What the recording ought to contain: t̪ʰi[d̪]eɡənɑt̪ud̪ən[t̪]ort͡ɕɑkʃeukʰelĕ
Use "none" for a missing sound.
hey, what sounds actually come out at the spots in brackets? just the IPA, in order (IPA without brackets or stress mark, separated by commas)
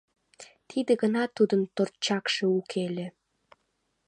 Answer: d̪, t̪